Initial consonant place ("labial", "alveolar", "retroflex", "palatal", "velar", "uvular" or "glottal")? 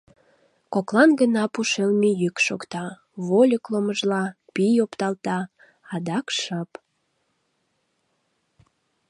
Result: velar